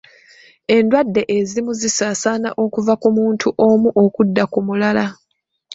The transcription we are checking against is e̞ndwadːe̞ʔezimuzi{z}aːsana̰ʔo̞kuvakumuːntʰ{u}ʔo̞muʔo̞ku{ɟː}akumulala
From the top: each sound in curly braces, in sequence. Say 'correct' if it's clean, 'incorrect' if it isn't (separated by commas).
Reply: incorrect, correct, incorrect